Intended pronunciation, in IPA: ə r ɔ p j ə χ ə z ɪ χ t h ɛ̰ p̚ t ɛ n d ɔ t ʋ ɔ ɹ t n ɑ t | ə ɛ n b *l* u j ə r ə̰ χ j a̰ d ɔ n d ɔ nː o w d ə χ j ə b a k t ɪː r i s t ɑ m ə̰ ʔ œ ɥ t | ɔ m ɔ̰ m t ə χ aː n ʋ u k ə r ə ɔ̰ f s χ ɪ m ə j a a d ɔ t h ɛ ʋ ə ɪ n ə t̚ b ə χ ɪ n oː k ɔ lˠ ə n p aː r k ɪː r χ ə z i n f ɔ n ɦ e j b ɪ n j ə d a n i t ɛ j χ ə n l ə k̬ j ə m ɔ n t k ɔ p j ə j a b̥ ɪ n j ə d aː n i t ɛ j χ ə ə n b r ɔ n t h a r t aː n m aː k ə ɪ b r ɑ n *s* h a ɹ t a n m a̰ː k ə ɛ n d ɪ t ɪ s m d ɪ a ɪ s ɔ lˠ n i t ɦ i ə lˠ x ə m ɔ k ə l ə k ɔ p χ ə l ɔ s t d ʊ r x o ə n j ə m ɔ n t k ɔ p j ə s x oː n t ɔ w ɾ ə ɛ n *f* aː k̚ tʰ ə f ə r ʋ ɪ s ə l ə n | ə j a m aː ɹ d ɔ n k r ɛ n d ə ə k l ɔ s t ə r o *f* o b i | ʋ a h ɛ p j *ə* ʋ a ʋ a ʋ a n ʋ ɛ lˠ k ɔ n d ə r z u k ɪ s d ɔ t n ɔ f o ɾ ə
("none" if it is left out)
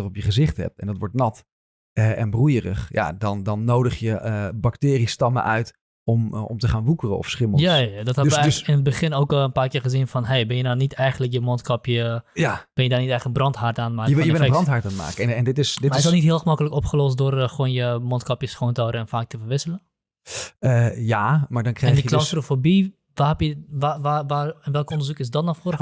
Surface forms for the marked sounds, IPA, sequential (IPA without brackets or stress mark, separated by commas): r, t, f, f, ə